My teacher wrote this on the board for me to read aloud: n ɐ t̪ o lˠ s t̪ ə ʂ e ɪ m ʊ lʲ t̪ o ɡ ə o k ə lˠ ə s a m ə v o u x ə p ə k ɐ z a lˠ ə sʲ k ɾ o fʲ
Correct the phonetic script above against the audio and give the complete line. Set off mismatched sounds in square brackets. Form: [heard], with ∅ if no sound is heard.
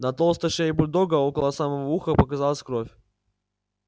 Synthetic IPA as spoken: n ɐ t̪ o lˠ s t̪ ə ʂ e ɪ [b] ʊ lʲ [d̪] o ɡ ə o k ə lˠ ə s a m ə v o u x ə p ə k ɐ z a lˠ ə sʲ k ɾ o fʲ